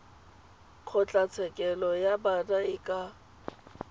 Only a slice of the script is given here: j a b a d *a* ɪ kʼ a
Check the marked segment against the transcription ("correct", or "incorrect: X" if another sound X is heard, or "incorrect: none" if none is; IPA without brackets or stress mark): correct